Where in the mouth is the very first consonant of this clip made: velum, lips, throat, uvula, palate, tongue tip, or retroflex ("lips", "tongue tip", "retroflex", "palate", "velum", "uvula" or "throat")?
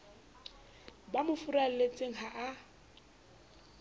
lips